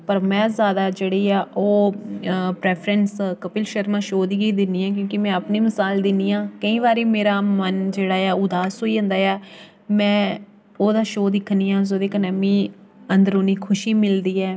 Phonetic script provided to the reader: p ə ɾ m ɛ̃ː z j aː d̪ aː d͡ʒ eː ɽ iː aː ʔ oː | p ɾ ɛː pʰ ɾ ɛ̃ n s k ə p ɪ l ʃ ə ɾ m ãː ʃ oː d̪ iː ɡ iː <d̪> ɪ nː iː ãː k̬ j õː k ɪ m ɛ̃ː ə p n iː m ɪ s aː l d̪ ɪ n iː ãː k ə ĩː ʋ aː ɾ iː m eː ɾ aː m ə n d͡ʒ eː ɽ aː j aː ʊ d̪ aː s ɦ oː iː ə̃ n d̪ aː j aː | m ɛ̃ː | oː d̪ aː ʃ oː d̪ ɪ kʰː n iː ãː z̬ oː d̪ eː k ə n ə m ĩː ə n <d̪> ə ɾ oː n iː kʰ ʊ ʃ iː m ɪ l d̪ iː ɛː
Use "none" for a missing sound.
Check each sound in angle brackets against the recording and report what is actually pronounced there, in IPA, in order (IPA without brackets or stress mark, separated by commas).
d̪, d̪